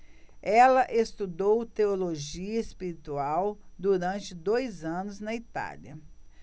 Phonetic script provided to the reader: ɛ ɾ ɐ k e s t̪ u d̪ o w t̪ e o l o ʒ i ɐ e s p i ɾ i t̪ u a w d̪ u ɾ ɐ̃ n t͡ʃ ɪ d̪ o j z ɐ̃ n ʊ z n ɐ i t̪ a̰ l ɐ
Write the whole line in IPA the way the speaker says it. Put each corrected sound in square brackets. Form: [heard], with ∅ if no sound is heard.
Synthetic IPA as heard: ɛ [l] ɐ [ʔ] e s t̪ u d̪ o w t̪ e o l o ʒ i ɐ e s p i ɾ i t̪ u a w d̪ u ɾ ɐ̃ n t͡ʃ ɪ d̪ o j z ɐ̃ n ʊ z n ɐ i t̪ a̰ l ɐ

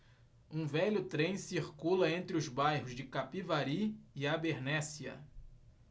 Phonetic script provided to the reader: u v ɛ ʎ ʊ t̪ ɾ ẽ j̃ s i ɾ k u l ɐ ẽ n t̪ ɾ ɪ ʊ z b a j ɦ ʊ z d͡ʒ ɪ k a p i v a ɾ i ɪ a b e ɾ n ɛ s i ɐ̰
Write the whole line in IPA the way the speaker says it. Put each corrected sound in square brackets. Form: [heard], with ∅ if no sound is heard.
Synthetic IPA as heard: [ũ] v ɛ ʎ ʊ t̪ ɾ ẽ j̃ s i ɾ k u l ɐ ẽ n t̪ ɾ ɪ ʊ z b a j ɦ ʊ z d͡ʒ ɪ k a p i v a ɾ i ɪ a b e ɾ n ɛ s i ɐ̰

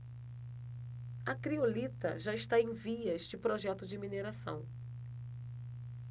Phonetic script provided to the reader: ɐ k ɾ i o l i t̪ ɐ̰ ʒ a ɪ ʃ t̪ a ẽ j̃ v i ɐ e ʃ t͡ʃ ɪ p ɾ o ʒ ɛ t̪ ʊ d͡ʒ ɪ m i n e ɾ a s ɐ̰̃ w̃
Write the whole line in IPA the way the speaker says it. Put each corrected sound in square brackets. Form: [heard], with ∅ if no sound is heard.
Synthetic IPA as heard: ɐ k ɾ i o l i t̪ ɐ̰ ʒ a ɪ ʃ t̪ a ẽ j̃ v i ɐ e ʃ t͡ʃ ɪ p ɾ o ʒ ɛ t̪ ʊ d͡ʒ ɪ m i n e ɾ a s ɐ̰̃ w̃

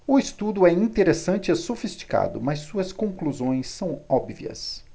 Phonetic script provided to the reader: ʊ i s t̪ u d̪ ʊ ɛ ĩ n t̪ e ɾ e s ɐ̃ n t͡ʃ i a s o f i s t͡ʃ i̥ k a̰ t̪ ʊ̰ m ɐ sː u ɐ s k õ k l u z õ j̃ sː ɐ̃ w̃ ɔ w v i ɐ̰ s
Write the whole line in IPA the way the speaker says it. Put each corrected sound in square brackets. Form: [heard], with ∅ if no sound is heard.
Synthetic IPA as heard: ʊ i s t̪ u d̪ ʊ ɛ ĩ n t̪ e ɾ e s ɐ̃ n t͡ʃ [ɪ] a s o f i s t͡ʃ i̥ k a̰ [d̪] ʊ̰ m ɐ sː u ɐ s k õ k l u z õ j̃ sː ɐ̃ w̃ ɔ [b] v i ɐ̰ s

